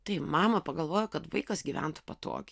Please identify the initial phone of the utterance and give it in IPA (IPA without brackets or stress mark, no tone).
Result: t̪